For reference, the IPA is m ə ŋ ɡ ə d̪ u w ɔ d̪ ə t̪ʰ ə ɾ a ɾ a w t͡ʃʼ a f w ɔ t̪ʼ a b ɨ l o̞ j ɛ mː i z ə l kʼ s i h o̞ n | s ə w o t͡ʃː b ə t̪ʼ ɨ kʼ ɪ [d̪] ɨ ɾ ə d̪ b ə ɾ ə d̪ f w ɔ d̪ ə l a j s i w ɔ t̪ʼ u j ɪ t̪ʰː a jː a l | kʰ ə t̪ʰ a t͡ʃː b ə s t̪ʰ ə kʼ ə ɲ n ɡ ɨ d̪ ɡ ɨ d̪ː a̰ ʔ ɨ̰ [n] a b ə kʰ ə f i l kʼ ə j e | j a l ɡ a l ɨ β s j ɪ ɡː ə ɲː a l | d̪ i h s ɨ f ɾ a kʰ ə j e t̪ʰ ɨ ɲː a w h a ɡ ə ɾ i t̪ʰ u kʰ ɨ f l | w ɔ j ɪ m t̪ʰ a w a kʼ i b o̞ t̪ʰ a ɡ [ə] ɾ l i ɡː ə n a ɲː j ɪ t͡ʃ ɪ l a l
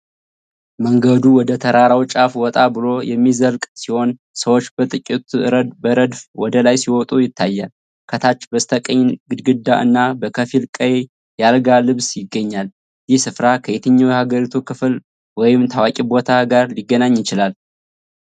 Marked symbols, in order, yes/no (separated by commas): no, no, no